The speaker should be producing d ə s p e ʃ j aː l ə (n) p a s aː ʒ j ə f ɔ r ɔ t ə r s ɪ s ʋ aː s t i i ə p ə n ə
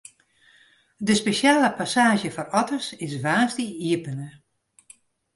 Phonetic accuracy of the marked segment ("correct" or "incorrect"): incorrect